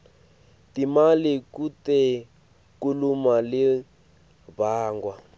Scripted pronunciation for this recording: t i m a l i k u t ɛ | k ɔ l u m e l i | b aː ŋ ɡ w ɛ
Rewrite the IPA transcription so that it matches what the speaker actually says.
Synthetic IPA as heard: t i m a l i k u t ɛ | k u l u m a l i | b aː ŋ ɡ w a